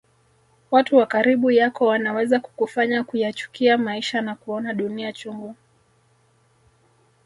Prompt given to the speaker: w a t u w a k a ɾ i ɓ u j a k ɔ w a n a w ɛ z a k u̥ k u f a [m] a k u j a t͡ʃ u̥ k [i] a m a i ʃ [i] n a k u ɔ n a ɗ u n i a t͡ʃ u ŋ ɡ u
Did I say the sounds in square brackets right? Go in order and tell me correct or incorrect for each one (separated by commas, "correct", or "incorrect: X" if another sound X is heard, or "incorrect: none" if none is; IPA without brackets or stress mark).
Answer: incorrect: ɲ, correct, incorrect: a